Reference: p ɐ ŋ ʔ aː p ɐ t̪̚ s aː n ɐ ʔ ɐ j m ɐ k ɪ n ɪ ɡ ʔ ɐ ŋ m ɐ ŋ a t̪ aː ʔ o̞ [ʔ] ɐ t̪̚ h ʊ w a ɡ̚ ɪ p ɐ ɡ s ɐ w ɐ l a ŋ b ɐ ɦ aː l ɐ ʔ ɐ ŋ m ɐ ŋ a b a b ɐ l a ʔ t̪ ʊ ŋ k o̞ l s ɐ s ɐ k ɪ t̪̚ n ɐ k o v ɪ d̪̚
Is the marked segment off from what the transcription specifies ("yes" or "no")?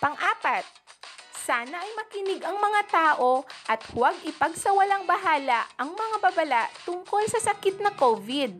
no